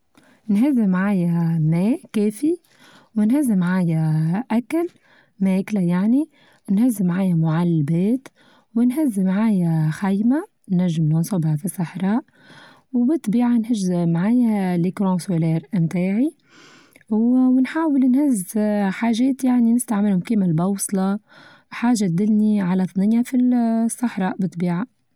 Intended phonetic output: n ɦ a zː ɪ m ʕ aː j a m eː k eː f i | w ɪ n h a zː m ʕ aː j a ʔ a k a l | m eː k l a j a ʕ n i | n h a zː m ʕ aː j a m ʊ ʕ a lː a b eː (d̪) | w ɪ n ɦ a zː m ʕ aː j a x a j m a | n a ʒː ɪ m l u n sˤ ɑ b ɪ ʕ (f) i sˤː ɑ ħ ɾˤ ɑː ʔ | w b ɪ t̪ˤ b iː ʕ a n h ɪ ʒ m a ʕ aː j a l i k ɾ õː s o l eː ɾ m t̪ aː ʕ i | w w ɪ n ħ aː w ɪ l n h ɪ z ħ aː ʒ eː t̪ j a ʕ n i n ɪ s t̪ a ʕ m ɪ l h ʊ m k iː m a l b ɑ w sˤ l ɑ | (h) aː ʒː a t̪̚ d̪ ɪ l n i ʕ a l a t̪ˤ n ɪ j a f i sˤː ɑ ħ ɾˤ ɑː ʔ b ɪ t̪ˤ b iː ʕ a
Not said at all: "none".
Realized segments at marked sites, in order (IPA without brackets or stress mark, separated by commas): t̪, f, ħ